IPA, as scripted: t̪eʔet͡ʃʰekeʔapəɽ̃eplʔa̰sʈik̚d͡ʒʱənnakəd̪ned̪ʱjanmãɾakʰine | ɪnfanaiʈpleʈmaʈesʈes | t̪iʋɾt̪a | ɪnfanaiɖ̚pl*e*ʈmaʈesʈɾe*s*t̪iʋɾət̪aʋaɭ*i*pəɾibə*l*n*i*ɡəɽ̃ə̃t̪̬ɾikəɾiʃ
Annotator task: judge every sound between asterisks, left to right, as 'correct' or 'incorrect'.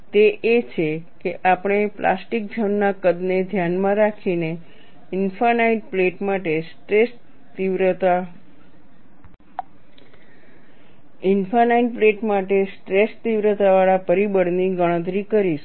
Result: correct, correct, incorrect, incorrect, correct

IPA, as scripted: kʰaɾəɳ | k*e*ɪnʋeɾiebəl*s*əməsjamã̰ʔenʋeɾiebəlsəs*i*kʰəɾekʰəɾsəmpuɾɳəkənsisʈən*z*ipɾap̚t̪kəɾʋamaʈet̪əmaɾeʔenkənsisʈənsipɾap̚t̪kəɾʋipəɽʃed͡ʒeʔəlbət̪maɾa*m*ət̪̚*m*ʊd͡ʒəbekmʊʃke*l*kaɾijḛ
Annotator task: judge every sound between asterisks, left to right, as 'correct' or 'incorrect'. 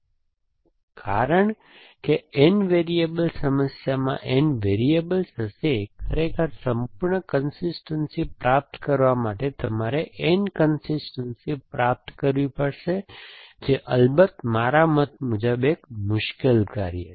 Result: correct, correct, incorrect, incorrect, correct, correct, correct

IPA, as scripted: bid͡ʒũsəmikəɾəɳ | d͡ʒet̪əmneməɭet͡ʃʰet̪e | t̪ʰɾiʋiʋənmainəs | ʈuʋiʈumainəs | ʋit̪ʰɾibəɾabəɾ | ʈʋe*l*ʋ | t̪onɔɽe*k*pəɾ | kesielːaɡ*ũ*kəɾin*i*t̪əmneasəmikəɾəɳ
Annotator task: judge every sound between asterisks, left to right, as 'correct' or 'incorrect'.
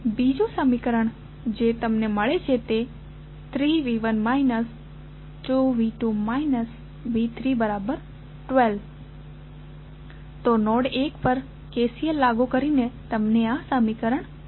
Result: correct, correct, incorrect, incorrect

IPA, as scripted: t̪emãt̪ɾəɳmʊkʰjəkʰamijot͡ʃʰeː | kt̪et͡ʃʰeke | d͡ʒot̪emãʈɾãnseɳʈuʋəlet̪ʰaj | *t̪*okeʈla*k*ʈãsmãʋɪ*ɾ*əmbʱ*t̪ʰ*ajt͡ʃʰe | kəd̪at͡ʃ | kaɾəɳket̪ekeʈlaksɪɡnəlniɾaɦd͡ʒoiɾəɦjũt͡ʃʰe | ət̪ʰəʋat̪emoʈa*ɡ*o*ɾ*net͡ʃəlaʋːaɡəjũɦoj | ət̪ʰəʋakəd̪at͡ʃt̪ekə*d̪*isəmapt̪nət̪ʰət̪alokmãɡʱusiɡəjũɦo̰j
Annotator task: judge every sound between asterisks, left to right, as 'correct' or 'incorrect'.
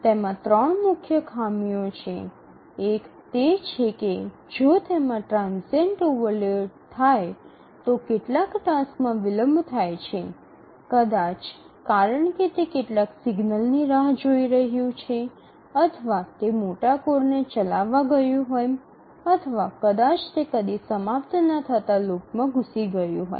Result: correct, correct, incorrect, correct, incorrect, correct, correct

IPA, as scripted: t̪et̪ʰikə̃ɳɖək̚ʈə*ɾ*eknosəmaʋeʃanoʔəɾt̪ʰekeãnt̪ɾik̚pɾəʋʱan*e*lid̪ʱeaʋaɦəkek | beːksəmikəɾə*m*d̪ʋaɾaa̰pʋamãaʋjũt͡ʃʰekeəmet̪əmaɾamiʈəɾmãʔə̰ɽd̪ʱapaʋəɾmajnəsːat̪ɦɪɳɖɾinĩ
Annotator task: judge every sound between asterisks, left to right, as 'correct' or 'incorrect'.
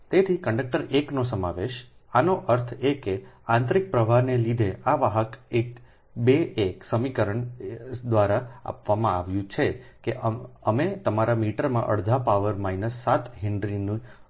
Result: correct, correct, incorrect

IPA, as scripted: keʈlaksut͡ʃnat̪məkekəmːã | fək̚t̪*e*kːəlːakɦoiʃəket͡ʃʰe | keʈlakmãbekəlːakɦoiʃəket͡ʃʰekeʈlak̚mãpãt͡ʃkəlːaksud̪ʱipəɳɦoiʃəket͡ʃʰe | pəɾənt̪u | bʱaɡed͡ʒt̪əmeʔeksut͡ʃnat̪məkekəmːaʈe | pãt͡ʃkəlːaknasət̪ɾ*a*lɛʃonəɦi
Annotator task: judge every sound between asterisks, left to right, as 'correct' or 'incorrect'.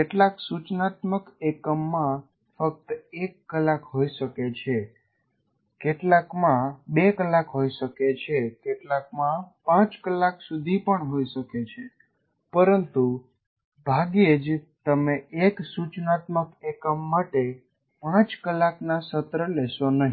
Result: correct, incorrect

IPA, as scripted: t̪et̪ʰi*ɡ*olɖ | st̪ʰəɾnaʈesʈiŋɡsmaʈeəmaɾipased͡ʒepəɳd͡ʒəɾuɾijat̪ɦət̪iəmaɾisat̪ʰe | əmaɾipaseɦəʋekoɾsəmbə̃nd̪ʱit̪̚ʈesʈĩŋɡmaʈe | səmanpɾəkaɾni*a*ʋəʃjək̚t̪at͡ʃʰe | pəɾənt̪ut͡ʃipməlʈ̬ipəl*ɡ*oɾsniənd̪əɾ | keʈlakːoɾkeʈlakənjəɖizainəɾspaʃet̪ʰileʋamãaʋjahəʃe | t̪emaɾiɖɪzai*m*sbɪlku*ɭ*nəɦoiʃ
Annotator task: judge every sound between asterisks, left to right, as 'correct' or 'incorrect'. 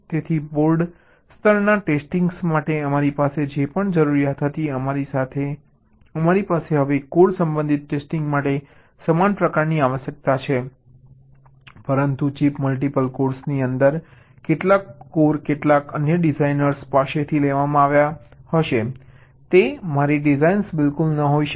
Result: incorrect, correct, incorrect, incorrect, incorrect

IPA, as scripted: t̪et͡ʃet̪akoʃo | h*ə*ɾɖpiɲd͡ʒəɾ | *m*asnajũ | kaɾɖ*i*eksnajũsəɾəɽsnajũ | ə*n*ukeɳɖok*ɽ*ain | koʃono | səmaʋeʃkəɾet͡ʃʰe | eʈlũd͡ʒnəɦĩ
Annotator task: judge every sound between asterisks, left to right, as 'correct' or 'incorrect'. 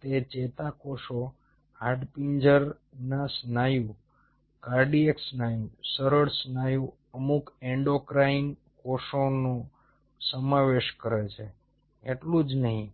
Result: incorrect, incorrect, correct, incorrect, incorrect

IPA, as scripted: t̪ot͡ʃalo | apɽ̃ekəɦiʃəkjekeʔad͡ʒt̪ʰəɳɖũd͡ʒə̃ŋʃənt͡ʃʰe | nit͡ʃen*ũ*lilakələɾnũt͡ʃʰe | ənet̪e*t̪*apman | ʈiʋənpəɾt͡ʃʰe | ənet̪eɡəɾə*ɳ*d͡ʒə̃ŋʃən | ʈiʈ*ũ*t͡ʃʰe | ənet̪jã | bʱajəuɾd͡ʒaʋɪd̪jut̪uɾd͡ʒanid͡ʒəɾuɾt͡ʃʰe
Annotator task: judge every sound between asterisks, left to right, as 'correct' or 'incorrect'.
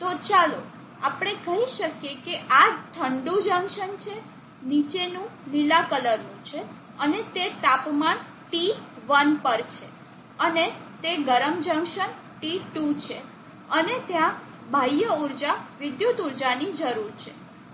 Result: correct, correct, incorrect, incorrect

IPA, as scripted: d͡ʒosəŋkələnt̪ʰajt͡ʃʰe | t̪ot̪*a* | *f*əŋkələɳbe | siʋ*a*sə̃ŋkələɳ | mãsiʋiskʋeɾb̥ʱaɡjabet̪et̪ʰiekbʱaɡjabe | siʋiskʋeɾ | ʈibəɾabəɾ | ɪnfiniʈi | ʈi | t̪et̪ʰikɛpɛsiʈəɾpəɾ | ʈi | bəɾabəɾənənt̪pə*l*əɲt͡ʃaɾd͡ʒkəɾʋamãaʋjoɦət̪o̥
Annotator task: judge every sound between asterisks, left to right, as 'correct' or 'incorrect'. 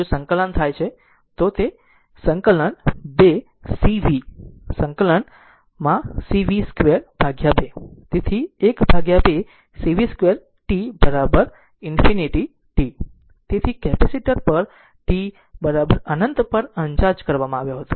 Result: incorrect, incorrect, incorrect, incorrect

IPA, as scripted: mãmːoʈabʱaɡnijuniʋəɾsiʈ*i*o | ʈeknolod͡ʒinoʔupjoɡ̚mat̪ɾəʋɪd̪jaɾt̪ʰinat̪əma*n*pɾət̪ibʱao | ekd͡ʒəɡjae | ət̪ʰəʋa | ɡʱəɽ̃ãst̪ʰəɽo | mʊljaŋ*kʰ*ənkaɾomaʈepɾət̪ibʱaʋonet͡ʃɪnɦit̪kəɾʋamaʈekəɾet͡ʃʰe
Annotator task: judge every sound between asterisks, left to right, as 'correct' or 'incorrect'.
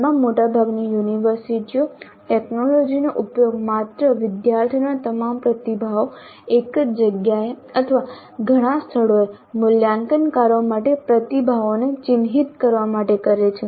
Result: correct, incorrect, incorrect

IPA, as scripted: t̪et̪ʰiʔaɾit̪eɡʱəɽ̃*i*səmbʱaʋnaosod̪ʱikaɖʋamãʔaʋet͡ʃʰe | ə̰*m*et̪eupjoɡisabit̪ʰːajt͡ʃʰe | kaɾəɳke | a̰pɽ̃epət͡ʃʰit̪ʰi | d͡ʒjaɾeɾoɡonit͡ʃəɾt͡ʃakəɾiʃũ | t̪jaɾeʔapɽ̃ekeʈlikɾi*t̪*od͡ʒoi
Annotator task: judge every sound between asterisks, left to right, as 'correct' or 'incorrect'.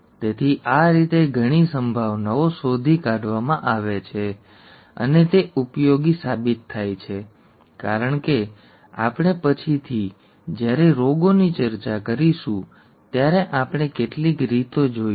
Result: correct, incorrect, correct

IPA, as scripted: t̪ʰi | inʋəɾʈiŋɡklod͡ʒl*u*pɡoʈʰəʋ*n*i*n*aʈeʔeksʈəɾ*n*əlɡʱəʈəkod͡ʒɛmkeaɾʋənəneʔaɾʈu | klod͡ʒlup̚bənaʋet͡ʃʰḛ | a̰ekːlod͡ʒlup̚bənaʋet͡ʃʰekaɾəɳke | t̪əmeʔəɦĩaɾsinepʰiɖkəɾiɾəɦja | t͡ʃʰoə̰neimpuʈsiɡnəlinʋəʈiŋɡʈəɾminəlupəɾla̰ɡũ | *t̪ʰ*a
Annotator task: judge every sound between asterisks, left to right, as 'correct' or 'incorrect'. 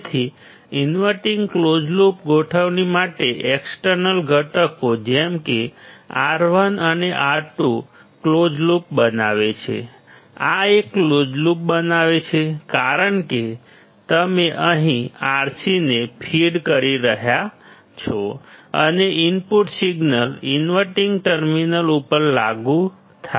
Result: correct, correct, incorrect, correct, correct

